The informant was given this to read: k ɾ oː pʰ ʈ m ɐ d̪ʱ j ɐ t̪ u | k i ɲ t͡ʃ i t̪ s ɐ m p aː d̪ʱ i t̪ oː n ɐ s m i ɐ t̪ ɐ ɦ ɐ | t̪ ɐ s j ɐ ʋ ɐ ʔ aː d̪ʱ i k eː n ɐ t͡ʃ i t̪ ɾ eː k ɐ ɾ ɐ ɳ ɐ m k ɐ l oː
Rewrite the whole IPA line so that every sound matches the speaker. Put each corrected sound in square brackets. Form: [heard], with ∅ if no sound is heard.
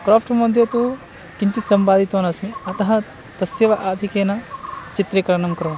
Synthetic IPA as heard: k ɾ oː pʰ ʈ m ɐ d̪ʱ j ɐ t̪ u | k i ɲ t͡ʃ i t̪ s ɐ m p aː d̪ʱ i t̪ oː n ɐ s m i ɐ t̪ ɐ ɦ ɐ | t̪ ɐ s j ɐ ʋ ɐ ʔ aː d̪ʱ i k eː n ɐ t͡ʃ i t̪ ɾ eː k ɐ ɾ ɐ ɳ ɐ m k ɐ [ɾ] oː